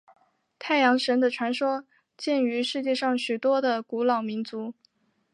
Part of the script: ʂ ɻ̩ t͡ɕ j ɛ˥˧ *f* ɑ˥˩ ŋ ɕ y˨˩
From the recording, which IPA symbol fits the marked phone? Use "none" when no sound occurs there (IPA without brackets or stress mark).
ʂ